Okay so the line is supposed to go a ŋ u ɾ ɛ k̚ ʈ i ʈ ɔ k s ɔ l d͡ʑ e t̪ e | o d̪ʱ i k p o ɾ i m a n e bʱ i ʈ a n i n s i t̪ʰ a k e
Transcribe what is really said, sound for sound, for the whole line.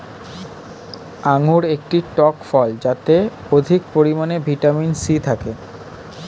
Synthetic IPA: a ŋ u ɾ e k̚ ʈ i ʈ ɔ k f ɔ l d͡ʑ a t̪ e | o d̪ʱ i k p o ɾ i m a n e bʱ i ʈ a m i n s i t̪ʰ a k e